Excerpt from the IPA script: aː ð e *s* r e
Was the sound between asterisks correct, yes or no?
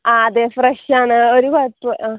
no